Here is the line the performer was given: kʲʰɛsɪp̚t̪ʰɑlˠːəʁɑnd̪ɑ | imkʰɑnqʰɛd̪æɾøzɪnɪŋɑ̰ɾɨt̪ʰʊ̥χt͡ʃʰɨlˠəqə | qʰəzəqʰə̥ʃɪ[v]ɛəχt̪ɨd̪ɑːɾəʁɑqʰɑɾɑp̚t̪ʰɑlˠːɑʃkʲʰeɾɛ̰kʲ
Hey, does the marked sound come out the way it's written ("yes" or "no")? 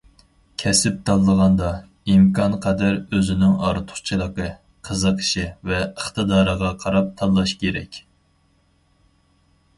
yes